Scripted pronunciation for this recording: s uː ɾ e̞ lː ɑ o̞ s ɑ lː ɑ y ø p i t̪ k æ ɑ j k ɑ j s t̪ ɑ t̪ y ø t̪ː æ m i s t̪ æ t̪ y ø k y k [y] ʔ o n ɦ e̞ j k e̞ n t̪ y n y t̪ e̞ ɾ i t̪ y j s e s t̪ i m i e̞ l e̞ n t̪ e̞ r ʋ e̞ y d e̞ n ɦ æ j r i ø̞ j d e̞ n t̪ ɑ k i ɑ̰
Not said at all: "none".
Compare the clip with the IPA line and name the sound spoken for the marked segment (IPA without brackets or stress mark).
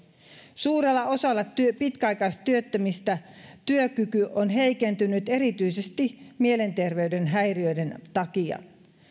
y